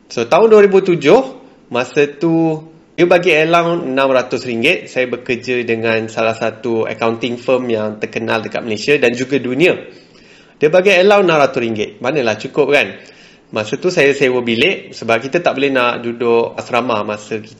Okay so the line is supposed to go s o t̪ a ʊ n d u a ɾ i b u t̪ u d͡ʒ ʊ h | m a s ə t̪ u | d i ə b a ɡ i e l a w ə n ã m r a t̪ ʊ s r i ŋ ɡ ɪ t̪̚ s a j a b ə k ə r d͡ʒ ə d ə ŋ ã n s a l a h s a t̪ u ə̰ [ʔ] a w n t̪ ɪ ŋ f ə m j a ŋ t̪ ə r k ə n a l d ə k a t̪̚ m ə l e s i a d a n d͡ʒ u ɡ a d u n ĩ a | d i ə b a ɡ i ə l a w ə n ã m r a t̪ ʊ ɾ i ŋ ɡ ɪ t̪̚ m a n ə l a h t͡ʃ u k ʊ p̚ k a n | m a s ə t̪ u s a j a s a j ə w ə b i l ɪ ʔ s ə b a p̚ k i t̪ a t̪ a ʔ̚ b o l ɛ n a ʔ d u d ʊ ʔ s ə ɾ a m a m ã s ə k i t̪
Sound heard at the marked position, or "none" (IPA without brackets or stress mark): k